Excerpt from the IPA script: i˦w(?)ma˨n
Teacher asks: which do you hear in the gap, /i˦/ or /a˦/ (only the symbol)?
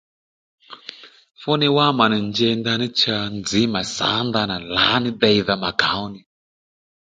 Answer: a˦